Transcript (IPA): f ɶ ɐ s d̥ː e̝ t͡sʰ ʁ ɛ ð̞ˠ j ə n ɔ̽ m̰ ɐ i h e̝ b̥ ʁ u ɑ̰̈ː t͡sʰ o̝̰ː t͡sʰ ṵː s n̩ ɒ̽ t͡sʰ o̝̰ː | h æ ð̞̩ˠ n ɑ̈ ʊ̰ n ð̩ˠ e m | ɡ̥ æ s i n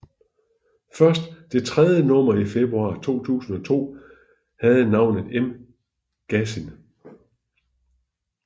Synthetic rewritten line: f ɶ ɐ s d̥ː e̝ t͡sʰ ʁ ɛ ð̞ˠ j ə n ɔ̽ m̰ ɐ i f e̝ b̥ ʁ u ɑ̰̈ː t͡sʰ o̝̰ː t͡sʰ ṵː s n̩ ɒ̽ t͡sʰ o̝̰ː | h æ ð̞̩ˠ n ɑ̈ ʊ̰ n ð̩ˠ e m | ɡ̥ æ s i n